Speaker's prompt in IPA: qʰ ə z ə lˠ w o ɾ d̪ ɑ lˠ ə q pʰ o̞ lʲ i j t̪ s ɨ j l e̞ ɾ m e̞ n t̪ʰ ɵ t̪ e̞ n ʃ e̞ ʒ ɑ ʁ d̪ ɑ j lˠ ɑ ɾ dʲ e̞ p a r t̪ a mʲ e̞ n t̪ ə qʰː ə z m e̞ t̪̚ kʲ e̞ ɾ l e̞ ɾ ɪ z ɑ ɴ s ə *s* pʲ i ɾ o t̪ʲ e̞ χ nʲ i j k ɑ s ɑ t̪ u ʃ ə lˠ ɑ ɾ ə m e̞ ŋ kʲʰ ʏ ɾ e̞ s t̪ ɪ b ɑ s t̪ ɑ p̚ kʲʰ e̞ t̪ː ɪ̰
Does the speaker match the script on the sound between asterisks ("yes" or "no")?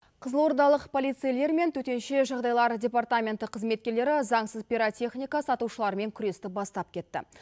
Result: no